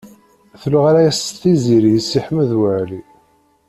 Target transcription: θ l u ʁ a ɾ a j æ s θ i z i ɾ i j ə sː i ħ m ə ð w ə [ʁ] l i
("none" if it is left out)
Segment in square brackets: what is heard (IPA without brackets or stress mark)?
ʕ